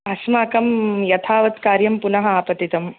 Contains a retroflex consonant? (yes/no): no